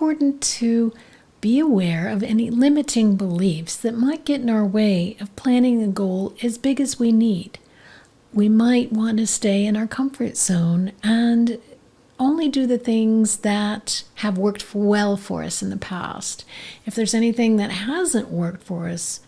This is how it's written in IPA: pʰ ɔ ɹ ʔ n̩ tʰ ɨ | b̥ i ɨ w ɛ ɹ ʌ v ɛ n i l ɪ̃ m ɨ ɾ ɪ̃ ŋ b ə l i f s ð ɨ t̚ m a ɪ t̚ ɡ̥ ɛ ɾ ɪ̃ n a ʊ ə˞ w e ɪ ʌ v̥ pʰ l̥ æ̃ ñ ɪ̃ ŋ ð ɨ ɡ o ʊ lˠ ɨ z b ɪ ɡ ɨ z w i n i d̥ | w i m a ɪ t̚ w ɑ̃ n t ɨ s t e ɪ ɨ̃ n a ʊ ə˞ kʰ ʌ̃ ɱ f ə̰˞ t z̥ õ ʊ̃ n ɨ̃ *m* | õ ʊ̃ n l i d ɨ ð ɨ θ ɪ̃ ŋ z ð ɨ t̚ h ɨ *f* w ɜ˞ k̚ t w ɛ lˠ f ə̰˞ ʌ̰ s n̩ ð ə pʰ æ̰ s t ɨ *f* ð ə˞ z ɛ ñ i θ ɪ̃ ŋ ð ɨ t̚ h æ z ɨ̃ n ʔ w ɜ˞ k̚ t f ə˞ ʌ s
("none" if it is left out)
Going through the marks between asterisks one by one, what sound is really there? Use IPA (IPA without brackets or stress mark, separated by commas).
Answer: n, v, f